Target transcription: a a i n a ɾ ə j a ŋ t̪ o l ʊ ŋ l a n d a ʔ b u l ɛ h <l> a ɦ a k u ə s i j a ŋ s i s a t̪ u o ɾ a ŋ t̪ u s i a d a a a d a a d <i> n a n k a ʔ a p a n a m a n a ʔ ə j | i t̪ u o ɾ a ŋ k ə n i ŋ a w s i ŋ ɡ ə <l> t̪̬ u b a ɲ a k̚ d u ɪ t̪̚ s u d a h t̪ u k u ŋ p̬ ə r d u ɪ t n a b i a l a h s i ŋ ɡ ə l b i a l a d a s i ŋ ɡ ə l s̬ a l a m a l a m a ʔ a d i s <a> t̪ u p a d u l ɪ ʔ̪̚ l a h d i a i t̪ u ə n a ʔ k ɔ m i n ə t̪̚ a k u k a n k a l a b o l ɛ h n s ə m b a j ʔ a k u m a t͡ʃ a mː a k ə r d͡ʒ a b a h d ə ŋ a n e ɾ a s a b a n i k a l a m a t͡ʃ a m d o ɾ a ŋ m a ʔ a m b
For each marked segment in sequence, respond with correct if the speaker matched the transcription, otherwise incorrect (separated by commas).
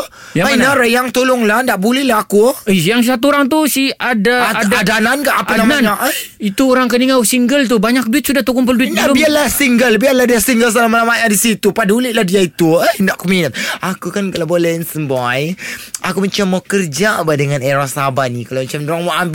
correct, incorrect, correct, incorrect